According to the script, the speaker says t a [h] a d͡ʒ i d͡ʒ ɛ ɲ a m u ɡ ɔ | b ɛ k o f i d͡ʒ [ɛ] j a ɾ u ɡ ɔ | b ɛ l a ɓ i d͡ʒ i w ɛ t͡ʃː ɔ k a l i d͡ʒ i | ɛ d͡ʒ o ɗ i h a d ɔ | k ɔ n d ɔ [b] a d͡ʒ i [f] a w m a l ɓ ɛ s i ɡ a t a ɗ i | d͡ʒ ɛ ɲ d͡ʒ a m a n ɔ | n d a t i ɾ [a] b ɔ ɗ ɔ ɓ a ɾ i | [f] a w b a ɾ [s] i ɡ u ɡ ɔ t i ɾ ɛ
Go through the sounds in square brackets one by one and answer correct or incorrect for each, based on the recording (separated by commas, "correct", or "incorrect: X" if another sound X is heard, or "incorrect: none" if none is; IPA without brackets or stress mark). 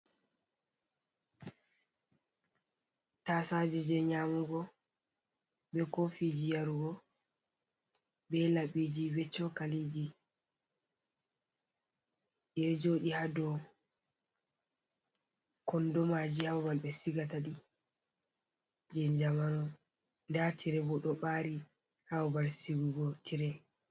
incorrect: s, incorrect: i, incorrect: m, incorrect: h, incorrect: ɛ, incorrect: h, correct